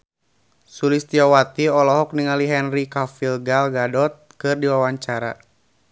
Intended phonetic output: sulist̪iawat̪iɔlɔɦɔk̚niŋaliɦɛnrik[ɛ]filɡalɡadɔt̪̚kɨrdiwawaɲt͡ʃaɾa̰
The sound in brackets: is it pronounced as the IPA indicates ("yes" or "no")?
no